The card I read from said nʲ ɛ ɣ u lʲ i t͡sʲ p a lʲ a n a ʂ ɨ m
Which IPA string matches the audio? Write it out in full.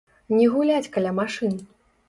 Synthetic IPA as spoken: nʲ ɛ ɣ u lʲ a t͡sʲ k a lʲ a m a ʂ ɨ n